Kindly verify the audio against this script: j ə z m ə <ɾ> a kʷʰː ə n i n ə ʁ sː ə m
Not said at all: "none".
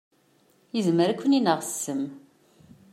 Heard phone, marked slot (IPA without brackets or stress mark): ɾ